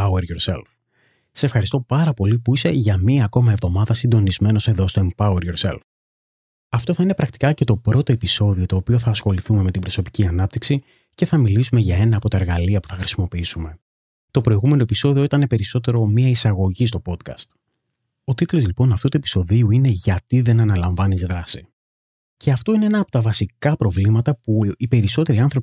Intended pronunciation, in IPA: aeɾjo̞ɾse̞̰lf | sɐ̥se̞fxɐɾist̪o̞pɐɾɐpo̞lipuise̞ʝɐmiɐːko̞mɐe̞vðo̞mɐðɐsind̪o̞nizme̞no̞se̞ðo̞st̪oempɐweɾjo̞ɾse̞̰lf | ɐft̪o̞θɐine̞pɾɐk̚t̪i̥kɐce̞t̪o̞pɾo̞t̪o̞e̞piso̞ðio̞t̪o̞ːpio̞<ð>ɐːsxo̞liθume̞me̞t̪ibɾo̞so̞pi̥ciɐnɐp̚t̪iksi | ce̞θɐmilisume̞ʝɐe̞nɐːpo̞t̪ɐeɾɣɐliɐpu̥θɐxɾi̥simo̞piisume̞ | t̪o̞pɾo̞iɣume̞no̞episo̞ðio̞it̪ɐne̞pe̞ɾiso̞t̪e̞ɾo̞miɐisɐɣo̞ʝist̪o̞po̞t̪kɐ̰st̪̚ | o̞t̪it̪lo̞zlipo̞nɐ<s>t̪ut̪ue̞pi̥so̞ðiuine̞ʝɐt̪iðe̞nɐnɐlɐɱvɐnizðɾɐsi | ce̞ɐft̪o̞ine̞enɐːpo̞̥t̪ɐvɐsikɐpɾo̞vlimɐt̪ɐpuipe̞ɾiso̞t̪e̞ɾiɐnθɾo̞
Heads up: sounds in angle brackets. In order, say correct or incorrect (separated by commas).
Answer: incorrect, incorrect